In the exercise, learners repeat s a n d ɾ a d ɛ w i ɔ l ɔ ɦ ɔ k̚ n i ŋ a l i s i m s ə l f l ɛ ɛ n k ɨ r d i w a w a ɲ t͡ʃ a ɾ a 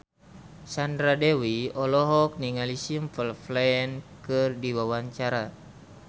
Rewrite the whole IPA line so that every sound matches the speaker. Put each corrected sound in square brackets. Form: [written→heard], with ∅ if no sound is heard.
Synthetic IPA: s a n d ɾ a d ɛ w i ɔ l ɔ ɦ ɔ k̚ n i ŋ a l i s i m [s→f] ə l f l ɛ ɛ n k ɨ r d i w a w a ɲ t͡ʃ a ɾ a